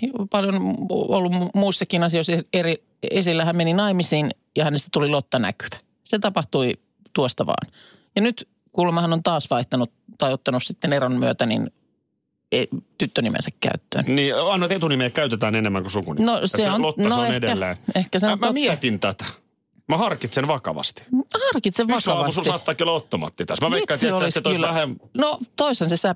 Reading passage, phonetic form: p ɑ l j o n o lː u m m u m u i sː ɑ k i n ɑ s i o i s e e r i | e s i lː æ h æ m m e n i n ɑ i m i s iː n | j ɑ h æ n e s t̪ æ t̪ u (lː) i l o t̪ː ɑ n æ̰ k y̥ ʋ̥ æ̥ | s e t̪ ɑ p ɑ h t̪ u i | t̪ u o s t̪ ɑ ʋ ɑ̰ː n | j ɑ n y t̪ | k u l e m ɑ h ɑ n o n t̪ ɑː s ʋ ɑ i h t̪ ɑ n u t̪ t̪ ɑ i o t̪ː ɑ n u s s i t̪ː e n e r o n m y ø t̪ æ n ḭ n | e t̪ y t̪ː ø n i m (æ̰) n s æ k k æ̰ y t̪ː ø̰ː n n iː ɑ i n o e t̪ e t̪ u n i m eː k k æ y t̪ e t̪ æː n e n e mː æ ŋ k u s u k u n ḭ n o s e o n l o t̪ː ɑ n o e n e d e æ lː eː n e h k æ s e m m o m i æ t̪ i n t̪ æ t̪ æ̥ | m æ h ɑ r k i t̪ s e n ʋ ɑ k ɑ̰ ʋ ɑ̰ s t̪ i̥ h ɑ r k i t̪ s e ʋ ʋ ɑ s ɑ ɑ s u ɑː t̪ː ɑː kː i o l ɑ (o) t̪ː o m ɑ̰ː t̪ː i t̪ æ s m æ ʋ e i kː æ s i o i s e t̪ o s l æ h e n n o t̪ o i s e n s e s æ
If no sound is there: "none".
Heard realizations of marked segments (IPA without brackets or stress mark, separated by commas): l, ḛ, o